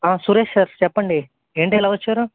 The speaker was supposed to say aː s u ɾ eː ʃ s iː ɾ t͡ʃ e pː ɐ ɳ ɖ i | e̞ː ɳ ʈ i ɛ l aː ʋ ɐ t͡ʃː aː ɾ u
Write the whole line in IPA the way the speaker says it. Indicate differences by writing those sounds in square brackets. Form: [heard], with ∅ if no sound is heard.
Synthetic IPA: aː s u ɾ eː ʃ s [aː] ɾ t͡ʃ [ɛ] pː ɐ ɳ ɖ i | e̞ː ɳ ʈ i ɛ l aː ʋ ɐ t͡ʃː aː ɾ u